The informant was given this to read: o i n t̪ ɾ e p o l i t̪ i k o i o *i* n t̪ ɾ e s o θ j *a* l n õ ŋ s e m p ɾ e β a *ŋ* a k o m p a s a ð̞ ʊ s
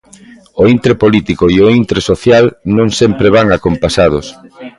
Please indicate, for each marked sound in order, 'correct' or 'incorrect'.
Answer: correct, correct, correct

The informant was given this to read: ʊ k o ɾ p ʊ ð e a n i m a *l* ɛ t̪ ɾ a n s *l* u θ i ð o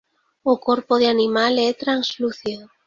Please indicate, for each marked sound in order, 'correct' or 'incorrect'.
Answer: correct, correct

